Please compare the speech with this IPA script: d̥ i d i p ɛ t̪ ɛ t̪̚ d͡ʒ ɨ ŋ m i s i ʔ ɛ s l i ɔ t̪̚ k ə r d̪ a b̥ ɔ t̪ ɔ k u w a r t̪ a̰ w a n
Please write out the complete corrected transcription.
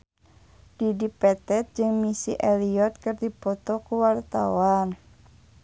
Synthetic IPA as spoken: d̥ i d i p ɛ t̪ ɛ t̪̚ d͡ʒ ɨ ŋ m i s i ʔ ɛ l i ɔ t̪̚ k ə r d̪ i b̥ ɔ t̪ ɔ k u w a r t̪ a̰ w a n

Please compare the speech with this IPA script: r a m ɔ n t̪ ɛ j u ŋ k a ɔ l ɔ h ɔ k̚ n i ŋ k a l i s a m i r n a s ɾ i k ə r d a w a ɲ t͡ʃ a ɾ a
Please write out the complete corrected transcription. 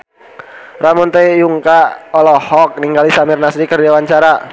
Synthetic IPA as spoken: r a m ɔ n t̪ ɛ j u ŋ k a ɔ l ɔ h ɔ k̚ n i ŋ ɡ a l i s a m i r n a s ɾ i k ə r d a w a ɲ t͡ʃ a ɾ a

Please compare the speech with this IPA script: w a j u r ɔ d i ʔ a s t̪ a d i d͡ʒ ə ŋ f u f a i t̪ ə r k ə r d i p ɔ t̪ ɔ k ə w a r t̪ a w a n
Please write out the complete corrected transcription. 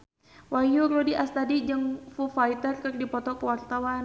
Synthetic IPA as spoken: w a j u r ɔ d i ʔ a s t̪ a d i d͡ʒ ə ŋ f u f a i t̪ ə r k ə r d i p ɔ t̪ ɔ k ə w a r t̪ a w a n

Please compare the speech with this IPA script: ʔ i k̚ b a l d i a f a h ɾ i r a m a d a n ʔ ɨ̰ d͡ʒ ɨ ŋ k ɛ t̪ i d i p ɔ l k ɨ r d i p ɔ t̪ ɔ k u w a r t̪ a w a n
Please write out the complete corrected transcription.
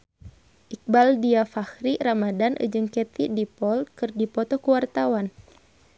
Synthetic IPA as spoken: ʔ i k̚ b a l d i a f a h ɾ i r a m a d a n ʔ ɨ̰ d͡ʒ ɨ ŋ k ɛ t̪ i d i p ɔ l k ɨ r d i p ɔ t̪ ɔ k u w a r t̪ a w a n

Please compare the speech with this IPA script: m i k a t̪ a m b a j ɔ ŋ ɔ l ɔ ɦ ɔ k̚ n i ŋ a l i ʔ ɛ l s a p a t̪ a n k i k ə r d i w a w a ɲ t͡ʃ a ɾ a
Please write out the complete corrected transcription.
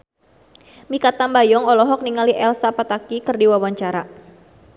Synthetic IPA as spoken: m i k a t̪ a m b a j ɔ ŋ ɔ l ɔ ɦ ɔ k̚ n i ŋ a l i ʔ ɛ l s a p a t̪ a k i k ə r d i w a w a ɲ t͡ʃ a ɾ a

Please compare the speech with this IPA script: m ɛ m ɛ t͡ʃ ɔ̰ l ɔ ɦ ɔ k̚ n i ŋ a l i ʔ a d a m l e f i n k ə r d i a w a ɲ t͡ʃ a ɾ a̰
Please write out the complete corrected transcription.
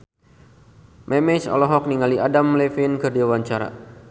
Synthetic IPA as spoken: m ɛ m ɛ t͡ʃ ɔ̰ l ɔ ɦ ɔ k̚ n i ŋ a l i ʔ a d a m l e f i n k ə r d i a w a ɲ t͡ʃ a ɾ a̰

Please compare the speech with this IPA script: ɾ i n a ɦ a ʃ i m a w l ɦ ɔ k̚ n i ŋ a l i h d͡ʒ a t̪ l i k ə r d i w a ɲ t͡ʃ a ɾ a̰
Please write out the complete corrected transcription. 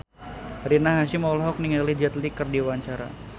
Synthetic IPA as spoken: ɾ i n a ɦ a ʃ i m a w l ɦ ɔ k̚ n i ŋ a l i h d͡ʒ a t̪ l i k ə r d i w a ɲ t͡ʃ a ɾ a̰

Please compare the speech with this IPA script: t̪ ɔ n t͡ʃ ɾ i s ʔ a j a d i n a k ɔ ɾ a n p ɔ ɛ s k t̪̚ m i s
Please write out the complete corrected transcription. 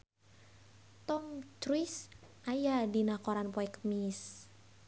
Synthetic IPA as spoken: t̪ ɔ m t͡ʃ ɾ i s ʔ a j a d i n a k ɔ ɾ a n p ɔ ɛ k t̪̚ m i s

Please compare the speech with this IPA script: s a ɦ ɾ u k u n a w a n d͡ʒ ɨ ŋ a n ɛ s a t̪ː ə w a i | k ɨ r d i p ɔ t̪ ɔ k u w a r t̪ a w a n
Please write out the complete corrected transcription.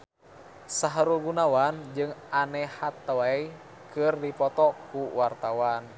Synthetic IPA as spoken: s a ɦ ɾ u ɡ u n a w a n d͡ʒ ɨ ŋ a n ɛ h a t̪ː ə w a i | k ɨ r d i p ɔ t̪ ɔ k u w a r t̪ a w a n

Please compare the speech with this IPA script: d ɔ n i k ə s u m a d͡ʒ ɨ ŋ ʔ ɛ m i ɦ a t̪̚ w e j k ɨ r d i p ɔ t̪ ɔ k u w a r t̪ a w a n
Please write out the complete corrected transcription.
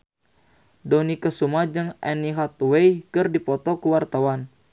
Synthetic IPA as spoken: d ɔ n i k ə s u m a d͡ʒ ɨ ŋ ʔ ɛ n i ɦ a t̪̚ w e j k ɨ r d i p ɔ t̪ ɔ k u w a r t̪ a w a n

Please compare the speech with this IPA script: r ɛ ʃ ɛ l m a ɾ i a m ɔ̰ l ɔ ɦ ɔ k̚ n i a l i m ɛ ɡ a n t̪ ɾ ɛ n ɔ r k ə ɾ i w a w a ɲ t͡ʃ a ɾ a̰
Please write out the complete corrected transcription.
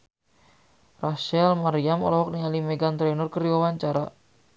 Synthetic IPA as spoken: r a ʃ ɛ l m a ɾ i a m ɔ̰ l ɔ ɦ ɔ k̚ n i a l i m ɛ ɡ a n t̪ ɾ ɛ n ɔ r k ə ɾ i w a w a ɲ t͡ʃ a ɾ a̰

